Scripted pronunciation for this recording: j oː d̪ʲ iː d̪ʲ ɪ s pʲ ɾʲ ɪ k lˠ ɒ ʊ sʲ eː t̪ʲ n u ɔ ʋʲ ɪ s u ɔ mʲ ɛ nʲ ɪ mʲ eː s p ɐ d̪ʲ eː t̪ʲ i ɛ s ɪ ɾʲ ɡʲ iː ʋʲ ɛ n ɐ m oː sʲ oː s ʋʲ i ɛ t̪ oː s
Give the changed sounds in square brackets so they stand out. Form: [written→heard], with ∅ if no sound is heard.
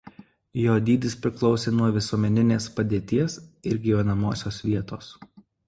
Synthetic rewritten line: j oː d̪ʲ iː d̪ʲ ɪ s pʲ ɾʲ ɪ k lˠ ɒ ʊ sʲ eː [t̪ʲ→∅] n u ɔ ʋʲ ɪ s u ɔ mʲ ɛ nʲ ɪ [mʲ→nʲ] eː s p ɐ d̪ʲ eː t̪ʲ i ɛ s ɪ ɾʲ ɡʲ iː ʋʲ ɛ n ɐ m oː sʲ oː s ʋʲ i ɛ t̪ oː s